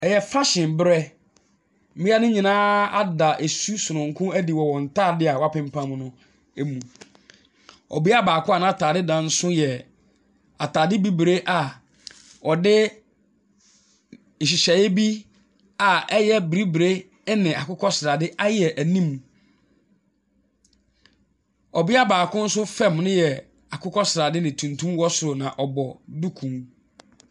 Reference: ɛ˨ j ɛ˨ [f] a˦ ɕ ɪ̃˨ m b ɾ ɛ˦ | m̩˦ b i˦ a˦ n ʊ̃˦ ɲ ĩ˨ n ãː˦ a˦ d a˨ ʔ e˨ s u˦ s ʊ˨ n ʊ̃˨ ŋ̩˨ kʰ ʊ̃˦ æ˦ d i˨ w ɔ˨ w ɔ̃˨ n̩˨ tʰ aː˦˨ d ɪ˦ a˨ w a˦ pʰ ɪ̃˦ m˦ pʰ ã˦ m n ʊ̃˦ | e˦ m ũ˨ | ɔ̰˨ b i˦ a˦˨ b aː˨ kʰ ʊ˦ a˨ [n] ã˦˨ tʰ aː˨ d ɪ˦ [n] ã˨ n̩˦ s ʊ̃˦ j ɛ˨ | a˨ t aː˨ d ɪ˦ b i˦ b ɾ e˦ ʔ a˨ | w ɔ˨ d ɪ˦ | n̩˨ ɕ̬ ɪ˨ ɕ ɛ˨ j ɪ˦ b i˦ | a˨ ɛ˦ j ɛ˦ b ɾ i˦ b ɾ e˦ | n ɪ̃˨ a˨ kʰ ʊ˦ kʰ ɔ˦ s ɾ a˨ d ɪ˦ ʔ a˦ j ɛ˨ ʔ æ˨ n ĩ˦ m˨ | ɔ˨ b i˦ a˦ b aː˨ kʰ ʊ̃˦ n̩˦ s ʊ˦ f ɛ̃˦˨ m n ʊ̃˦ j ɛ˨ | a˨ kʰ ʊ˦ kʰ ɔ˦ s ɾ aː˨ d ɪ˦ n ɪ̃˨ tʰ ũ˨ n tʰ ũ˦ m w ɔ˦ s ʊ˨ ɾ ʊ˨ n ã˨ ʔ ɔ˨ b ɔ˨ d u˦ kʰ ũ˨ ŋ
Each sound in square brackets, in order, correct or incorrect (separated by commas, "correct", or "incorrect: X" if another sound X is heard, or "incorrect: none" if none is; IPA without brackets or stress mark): correct, correct, incorrect: d